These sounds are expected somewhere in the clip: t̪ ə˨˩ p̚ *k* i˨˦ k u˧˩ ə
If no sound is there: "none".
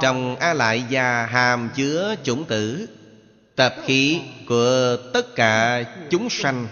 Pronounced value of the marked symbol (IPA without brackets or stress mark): x